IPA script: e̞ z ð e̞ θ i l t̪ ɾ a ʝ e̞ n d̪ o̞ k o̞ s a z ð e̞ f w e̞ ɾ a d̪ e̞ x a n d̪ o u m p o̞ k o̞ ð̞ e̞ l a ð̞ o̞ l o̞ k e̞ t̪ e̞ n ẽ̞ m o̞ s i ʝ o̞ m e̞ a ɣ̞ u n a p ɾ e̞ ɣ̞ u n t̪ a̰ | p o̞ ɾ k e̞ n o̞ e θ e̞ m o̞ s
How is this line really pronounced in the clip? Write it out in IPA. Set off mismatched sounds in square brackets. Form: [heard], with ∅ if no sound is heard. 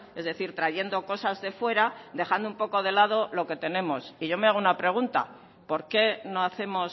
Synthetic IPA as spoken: e̞ z ð e̞ θ i [ɾ] t̪ ɾ a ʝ e̞ n d̪ o̞ k o̞ s a z ð e̞ f w e̞ ɾ a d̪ e̞ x a n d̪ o u m p o̞ k o̞ ð̞ e̞ l a ð̞ o̞ l o̞ k e̞ t̪ e̞ n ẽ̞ m o̞ s i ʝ o̞ m e̞ a ɣ̞ u n a p ɾ e̞ ɣ̞ u n t̪ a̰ | p o̞ ɾ k e̞ n o̞ [a] θ e̞ m o̞ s